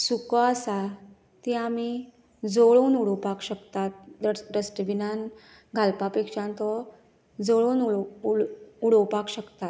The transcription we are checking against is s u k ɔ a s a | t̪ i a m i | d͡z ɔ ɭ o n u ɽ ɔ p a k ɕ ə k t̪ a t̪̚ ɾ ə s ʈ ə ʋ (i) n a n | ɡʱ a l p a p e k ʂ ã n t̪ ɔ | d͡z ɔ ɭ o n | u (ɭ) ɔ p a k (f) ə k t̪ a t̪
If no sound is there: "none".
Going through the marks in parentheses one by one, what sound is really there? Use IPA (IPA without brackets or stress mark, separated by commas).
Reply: i, ɽ, ɕ